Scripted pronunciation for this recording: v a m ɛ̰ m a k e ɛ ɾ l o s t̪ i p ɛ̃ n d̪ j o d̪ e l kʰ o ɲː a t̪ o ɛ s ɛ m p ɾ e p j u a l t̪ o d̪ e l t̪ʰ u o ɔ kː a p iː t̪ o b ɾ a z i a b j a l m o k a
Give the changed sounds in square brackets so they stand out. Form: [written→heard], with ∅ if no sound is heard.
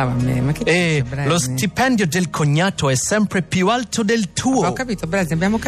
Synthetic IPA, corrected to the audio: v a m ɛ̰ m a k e ɛ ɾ l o s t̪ i p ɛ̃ n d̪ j o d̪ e l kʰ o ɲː a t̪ o ɛ s ɛ m p ɾ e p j u a l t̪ o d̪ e l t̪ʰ u o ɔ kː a p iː t̪ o b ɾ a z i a b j a [l→∅] m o k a